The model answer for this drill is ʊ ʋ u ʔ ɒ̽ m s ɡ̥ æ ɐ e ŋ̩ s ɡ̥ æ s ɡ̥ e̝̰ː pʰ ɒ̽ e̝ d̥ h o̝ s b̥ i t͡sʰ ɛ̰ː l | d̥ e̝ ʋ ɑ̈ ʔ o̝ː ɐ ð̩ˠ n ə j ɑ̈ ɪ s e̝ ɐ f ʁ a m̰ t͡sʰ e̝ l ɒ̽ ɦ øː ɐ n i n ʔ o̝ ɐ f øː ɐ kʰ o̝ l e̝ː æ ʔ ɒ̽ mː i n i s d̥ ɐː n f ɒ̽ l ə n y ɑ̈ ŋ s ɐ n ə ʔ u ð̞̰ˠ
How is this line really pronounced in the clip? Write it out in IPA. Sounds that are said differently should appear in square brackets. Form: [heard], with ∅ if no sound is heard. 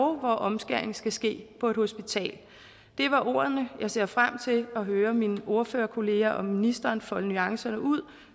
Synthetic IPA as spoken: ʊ ʋ [ɒ] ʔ ɒ̽ m s ɡ̥ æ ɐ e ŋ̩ s ɡ̥ æ s ɡ̥ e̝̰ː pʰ ɒ̽ e̝ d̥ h o̝ s b̥ i t͡sʰ ɛ̰ː l | d̥ e̝ ʋ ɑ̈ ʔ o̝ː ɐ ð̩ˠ n ə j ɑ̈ ɪ s e̝ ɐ f ʁ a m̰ t͡sʰ e̝ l ɒ̽ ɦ øː ɐ [m] i n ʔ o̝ ɐ f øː ɐ kʰ o̝ l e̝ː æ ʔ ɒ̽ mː i n i s d̥ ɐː n f ɒ̽ l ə n y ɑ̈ ŋ s ɐ n ə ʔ u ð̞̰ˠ